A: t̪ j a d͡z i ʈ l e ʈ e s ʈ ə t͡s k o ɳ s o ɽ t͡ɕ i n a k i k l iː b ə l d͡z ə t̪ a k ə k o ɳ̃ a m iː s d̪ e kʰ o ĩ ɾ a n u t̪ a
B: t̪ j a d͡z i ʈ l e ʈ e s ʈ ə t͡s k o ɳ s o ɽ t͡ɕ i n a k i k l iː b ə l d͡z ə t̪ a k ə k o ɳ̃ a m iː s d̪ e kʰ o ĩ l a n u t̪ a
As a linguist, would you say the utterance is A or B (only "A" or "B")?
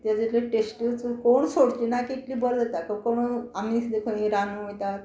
A